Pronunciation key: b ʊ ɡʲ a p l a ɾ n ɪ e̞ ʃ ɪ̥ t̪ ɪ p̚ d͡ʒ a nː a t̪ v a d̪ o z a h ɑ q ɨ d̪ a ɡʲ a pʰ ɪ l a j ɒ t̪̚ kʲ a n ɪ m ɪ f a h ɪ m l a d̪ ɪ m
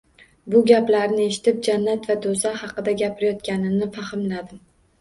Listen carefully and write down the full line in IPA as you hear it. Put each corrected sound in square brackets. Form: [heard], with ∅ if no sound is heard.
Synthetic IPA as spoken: b ʊ ɡʲ a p l a ɾ n ɪ e̞ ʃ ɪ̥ t̪ ɪ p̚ d͡ʒ a nː a t̪ v a d̪ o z a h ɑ q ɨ d̪ a ɡʲ a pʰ ɪ [ɾ] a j ɒ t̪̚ kʲ a n ɪ [n] ɪ f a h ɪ m l a d̪ ɪ m